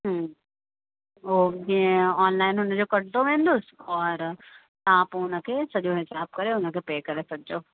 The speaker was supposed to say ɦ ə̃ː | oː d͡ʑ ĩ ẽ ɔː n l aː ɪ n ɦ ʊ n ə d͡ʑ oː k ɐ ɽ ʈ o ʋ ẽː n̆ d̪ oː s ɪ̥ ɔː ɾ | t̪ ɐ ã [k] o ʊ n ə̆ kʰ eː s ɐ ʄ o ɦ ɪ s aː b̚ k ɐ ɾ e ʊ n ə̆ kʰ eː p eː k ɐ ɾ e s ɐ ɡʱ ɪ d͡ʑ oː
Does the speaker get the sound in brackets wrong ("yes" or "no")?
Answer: yes